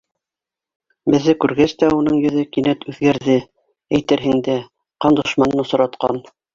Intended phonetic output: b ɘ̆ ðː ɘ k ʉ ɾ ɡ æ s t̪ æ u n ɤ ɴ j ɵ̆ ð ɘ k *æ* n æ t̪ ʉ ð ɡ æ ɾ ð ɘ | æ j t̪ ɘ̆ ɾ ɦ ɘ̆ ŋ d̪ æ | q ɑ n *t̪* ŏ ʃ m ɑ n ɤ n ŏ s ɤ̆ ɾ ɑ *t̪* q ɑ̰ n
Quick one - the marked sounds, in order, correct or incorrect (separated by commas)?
incorrect, incorrect, correct